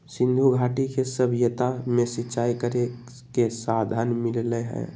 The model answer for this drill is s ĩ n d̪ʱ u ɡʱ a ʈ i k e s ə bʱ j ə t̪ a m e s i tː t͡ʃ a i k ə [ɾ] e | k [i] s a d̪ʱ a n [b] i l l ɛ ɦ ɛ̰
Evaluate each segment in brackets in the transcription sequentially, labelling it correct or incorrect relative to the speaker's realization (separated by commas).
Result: correct, incorrect, incorrect